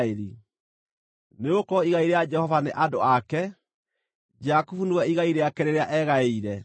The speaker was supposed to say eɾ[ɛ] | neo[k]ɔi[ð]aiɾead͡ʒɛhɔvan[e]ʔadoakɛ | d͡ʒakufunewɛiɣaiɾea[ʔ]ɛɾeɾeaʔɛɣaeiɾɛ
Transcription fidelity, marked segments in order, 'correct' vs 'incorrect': incorrect, correct, incorrect, correct, incorrect

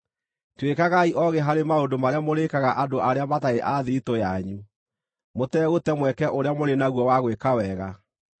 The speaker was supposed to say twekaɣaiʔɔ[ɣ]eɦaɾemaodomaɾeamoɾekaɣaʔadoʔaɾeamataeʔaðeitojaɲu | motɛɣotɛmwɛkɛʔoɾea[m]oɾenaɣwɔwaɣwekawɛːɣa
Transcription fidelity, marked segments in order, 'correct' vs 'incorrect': correct, correct

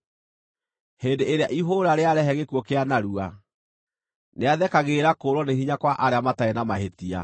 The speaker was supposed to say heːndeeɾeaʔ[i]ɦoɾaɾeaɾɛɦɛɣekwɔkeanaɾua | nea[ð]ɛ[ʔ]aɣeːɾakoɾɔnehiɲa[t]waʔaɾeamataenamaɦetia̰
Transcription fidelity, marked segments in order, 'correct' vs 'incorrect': correct, correct, incorrect, incorrect

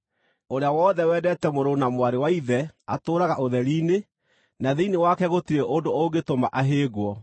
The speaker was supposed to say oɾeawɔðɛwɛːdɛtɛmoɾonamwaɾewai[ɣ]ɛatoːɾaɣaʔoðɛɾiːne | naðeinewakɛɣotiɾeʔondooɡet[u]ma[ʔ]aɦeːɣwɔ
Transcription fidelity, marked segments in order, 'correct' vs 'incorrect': incorrect, incorrect, correct

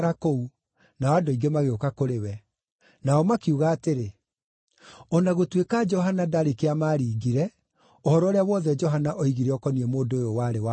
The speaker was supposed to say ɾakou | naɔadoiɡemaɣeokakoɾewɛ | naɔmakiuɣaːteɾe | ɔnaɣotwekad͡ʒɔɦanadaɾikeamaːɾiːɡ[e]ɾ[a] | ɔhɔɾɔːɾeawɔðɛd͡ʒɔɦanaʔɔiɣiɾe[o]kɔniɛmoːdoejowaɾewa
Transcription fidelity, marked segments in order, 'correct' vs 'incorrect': incorrect, incorrect, incorrect

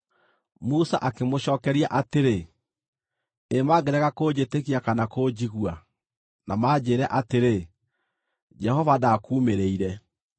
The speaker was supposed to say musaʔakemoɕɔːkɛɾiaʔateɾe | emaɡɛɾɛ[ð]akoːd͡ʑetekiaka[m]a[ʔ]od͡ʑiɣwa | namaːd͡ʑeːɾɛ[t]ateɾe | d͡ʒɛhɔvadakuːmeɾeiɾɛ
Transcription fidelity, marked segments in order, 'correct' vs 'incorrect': incorrect, incorrect, incorrect, incorrect

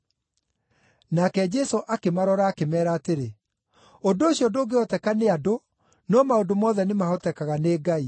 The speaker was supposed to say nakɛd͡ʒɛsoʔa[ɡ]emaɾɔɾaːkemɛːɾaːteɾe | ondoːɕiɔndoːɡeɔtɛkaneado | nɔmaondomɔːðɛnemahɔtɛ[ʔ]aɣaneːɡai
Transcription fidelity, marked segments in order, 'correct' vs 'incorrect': incorrect, incorrect

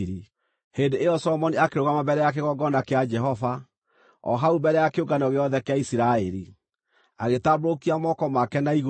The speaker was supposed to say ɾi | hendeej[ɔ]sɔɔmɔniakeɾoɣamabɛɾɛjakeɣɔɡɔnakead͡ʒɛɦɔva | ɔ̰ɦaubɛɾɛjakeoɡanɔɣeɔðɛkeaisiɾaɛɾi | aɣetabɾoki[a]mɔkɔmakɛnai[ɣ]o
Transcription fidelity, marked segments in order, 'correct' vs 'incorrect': correct, correct, correct

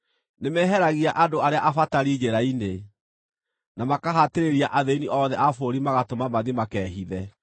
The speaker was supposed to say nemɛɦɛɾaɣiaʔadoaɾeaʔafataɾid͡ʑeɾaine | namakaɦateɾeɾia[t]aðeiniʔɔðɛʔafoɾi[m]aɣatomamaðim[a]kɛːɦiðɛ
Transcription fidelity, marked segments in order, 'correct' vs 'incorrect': incorrect, correct, correct

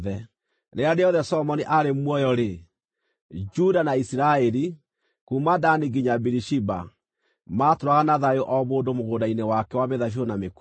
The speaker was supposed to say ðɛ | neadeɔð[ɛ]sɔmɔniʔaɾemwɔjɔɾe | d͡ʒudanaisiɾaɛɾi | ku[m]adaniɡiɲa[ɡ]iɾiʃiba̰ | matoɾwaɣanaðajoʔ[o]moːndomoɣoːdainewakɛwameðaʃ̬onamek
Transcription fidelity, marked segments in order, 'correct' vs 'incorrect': correct, correct, incorrect, incorrect

